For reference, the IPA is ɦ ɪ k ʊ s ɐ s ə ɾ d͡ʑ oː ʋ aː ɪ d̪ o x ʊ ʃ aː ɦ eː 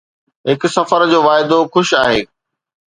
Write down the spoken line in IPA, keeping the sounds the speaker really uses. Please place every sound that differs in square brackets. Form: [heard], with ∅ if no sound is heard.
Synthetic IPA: ɦ ɪ k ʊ s ɐ [f] ə ɾ d͡ʑ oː ʋ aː ɪ d̪ o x ʊ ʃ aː ɦ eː